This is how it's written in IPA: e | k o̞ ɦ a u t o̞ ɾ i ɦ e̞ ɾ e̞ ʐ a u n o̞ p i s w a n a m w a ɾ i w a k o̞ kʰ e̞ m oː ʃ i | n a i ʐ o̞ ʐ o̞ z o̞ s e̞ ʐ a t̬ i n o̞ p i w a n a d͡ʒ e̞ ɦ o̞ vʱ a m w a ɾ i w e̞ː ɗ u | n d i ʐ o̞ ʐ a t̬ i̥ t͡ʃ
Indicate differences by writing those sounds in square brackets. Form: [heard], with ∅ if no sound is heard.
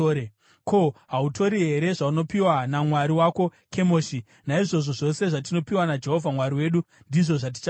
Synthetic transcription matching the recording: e | k o̞ ɦ a u t o̞ ɾ i ɦ e̞ ɾ e̞ ʐ a u n o̞ p i [∅] w a n a m w a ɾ i w a k o̞ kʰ e̞ m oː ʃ i | n a i ʐ o̞ ʐ o̞ [ʐ] o̞ s e̞ ʐ a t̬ i n o̞ p i w a n a d͡ʒ e̞ ɦ o̞ vʱ a m w a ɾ i w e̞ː ɗ u | n d i ʐ o̞ ʐ a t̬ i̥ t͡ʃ